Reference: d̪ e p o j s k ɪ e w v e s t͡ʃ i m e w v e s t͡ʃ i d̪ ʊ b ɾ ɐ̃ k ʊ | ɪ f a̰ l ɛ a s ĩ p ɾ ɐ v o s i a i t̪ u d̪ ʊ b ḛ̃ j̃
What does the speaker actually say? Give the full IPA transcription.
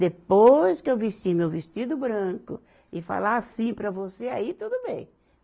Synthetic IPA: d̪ e p o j s k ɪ e w v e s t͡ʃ i m e w v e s t͡ʃ i d̪ ʊ b ɾ ɐ̃ k ʊ | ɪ f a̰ l a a s ĩ p ɾ ɐ v o s e a i t̪ u d̪ ʊ b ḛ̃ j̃